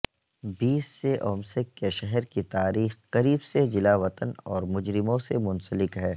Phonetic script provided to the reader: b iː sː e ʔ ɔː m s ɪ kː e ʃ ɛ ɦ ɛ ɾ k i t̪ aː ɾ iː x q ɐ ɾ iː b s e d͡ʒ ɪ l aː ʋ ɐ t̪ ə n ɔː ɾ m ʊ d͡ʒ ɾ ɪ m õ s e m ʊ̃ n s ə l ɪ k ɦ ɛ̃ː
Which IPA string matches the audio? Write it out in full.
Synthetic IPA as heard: b iː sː e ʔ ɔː m s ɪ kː e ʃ ɛ ɦ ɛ ɾ k i t̪ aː ɾ iː x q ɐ ɾ iː b s e d͡ʒ ɪ l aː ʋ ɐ t̪ ə n ɔː ɾ m ʊ d͡ʒ ɾ ɪ m õ s e m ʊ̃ n s ə l ɪ k ɦ ɛː

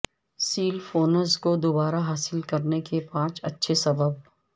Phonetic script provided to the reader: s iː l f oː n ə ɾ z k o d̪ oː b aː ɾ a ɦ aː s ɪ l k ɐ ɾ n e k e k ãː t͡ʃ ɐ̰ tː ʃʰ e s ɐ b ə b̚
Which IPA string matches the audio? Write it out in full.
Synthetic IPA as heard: s iː l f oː n ə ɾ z k o d̪ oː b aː ɾ a ɦ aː s ɪ l k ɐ ɾ n e k e p ãː t͡ʃ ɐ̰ tː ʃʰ e s ɐ b ə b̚

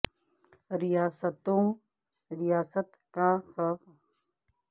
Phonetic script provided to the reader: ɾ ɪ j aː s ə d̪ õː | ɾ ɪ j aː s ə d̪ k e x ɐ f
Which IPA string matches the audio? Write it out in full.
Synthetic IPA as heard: ɾ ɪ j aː s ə t̪ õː | ɾ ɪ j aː s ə t̪ k a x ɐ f

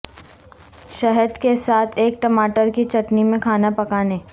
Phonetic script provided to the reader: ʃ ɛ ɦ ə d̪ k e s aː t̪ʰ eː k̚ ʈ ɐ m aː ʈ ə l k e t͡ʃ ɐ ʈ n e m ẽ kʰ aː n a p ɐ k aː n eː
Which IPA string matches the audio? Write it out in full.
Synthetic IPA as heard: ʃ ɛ ɦ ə d̪ k e s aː t̪ʰ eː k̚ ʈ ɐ m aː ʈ ə ɾ k i t͡ʃ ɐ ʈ n i m ẽ kʰ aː n a p ɐ k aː n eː

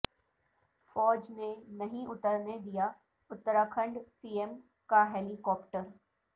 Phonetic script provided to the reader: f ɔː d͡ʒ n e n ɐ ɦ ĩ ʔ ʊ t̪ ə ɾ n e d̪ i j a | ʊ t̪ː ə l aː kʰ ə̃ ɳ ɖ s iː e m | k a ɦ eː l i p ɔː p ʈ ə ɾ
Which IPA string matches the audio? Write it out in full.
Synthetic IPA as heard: f ɔː d͡ʒ n e n ɐ ɦ ĩ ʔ ʊ t̪ ə ɾ n e d̪ i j a | ʊ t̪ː ə ɾ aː kʰ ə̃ ɳ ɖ s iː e m | k a ɦ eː l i k ɔː p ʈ ə ɾ

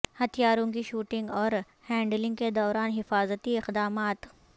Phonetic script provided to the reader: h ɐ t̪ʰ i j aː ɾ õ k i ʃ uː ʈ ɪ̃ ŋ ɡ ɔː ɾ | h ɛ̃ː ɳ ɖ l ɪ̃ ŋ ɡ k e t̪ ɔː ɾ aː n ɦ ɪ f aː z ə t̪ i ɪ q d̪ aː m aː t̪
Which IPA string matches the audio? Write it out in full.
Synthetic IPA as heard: h ɐ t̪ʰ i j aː ɾ õ k i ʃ uː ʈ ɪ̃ ŋ ɡ ɔː ɾ | h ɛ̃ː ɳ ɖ l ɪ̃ ŋ ɡ k e d̪ ɔː ɾ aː n ɦ ɪ f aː z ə t̪ i ɪ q d̪ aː m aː t̪

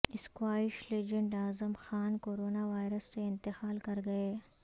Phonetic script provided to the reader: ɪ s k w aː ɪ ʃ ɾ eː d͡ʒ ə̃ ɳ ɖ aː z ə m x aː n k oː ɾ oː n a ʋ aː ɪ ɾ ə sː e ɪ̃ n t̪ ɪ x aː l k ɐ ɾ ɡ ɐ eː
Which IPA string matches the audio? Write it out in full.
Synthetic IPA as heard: ɪ s k w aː ɪ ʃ l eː d͡ʒ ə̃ ɳ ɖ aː z ə m x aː n k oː ɾ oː n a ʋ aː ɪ ɾ ə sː e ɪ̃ n t̪ ɪ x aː l k ɐ ɾ ɡ ɐ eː

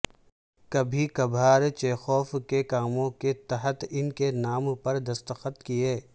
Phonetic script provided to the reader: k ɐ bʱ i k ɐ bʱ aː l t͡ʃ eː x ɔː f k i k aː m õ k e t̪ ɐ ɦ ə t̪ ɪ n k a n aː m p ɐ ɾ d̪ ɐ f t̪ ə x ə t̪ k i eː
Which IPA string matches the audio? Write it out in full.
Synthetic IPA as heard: k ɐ bʱ i k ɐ bʱ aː ɾ t͡ʃ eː x ɔː f k e k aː m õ k e t̪ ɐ ɦ ə t̪ ɪ n k e n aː m p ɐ ɾ d̪ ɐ s t̪ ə x ə t̪ k i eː

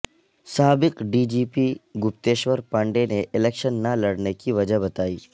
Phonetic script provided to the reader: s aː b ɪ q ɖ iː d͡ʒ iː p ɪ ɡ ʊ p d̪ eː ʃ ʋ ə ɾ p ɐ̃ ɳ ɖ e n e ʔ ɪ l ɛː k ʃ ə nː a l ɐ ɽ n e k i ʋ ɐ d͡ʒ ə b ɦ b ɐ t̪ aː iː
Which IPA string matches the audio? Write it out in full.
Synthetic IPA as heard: s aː b ɪ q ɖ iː d͡ʒ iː p i ɡ ʊ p t̪ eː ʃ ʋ ə ɾ p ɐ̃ ɳ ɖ e n e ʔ ɪ l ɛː k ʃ ə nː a l ɐ ɽ n e k i ʋ ɐ d͡ʒ ə ɦ b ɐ t̪ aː iː

